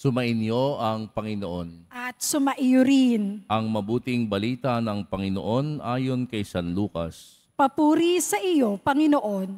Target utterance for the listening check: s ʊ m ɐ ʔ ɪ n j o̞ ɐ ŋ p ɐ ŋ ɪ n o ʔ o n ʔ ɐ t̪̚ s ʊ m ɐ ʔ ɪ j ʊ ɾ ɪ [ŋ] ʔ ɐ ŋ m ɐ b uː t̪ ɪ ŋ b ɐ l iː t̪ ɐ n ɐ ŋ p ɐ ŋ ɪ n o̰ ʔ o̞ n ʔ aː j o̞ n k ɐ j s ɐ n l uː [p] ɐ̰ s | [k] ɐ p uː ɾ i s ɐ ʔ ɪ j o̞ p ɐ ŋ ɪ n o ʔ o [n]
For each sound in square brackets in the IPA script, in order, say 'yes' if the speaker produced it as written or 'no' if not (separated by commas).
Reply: no, no, no, yes